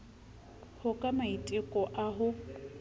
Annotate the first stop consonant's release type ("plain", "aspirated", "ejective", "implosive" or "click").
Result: ejective